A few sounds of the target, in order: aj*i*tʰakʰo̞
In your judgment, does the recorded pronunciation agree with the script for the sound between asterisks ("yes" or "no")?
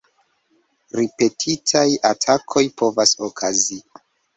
no